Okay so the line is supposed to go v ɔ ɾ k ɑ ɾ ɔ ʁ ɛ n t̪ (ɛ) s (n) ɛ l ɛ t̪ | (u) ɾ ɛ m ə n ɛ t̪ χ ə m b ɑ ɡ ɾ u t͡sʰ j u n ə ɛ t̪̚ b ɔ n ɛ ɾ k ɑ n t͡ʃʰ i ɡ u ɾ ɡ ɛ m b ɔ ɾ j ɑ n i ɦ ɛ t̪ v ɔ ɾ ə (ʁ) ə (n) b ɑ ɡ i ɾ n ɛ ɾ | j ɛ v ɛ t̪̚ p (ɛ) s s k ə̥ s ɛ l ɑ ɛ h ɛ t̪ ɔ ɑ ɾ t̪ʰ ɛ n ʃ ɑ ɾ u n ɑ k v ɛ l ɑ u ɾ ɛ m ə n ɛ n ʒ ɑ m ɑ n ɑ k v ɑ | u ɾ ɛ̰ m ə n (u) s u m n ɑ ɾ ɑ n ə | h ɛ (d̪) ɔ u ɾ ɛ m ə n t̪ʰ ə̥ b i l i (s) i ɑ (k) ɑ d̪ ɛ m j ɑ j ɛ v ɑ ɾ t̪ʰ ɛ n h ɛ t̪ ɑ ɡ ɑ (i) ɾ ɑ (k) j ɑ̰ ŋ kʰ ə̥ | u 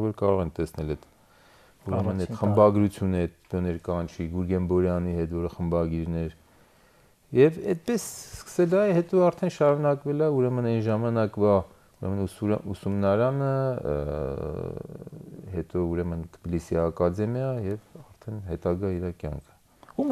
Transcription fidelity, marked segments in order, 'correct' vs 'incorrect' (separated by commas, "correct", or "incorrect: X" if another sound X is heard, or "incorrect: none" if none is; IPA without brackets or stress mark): correct, correct, correct, incorrect: χ, incorrect: m, correct, correct, incorrect: t̪, correct, correct, correct, correct